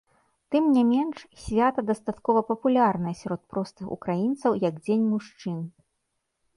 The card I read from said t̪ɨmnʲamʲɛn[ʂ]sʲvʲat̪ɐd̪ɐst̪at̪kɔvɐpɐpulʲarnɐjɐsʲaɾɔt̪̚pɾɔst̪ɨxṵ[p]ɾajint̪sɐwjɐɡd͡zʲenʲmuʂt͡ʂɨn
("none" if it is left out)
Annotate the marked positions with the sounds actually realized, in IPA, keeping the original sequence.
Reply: ʂ, k

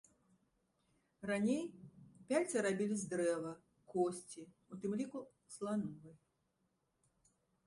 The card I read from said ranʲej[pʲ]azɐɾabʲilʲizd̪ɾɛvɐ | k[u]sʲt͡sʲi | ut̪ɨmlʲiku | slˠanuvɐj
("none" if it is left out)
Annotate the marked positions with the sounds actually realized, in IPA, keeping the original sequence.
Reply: pʲ, ɔ

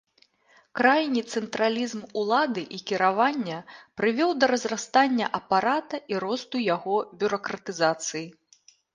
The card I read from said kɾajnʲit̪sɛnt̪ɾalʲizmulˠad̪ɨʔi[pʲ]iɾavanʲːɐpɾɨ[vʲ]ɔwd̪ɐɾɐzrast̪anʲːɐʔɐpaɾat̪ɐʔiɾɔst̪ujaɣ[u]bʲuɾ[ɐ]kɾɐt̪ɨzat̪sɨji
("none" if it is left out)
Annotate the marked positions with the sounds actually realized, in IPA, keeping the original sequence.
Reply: kʲ, vʲ, ɔ, ɐ

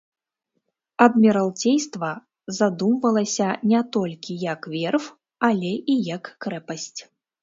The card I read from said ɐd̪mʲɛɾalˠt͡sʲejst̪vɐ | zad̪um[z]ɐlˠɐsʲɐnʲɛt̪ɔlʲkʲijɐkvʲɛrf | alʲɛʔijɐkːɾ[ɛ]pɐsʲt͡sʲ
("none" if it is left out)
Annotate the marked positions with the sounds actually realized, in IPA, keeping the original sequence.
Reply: v, ɛ

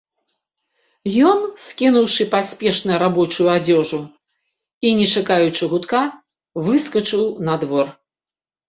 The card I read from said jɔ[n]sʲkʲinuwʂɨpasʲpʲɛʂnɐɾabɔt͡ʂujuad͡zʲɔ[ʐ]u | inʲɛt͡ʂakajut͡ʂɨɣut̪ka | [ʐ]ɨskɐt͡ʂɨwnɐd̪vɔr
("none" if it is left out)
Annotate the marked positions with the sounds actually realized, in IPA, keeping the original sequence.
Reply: n, ʐ, v

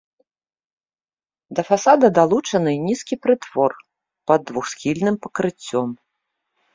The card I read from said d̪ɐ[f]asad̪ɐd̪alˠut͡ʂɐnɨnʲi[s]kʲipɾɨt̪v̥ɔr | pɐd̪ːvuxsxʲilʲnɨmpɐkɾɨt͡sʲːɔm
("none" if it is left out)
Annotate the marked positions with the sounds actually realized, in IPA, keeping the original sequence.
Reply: f, s

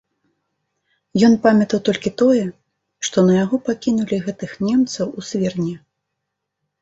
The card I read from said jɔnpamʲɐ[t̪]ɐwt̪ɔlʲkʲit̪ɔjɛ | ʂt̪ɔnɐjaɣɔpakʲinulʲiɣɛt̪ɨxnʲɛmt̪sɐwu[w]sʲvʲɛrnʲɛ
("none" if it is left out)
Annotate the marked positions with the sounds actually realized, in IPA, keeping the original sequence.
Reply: t̪, none

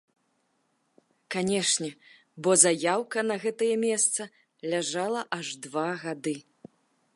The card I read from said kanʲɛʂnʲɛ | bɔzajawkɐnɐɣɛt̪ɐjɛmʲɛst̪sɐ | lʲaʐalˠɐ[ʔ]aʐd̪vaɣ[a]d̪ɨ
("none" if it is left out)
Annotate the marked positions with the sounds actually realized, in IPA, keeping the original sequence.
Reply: ʔ, a

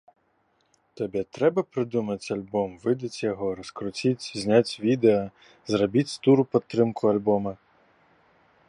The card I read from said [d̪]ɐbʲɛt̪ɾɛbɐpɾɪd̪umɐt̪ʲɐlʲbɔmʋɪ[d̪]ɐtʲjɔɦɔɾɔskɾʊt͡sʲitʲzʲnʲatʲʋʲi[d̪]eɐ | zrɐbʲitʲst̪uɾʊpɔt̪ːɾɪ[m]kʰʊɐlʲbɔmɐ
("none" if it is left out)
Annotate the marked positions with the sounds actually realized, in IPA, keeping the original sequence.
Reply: t̪, d̪, d̪, m

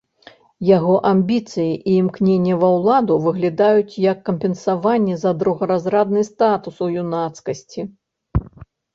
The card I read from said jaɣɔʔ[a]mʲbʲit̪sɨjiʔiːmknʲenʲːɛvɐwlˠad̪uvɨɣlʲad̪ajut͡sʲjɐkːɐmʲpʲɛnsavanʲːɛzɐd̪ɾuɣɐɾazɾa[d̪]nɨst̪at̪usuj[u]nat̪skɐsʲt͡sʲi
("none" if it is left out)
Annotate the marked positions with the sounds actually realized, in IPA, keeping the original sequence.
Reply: a, d̪, u

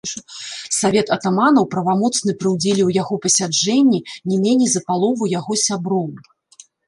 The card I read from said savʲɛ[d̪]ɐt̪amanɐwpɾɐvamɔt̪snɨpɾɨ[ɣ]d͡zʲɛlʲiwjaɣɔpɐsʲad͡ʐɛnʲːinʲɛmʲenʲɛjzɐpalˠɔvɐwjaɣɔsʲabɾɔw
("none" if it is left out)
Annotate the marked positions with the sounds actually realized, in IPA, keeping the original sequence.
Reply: t̪, w

